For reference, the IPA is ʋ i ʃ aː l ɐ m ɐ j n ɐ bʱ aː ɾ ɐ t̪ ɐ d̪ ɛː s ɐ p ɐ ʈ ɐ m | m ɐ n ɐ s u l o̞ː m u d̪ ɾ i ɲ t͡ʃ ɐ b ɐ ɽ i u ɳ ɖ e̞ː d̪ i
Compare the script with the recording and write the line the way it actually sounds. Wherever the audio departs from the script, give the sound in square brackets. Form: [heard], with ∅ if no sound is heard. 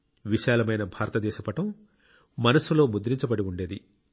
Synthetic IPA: ʋ i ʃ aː l ɐ m ɐ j n ɐ bʱ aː ɾ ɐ t̪ ɐ d̪ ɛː [ʃ] ɐ p ɐ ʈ ɐ m | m ɐ n ɐ s u l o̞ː m u d̪ ɾ i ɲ t͡ʃ ɐ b ɐ ɽ i u ɳ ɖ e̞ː d̪ i